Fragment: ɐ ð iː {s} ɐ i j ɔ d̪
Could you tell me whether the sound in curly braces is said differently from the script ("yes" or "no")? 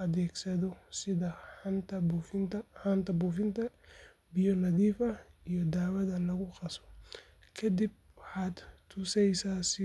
yes